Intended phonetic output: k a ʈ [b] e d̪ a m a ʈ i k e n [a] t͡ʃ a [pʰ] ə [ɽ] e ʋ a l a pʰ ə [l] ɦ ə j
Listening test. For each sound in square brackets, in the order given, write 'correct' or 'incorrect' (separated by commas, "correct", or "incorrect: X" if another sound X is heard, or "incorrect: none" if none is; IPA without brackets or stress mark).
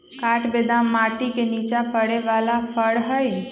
correct, incorrect: i, incorrect: p, correct, incorrect: ɽ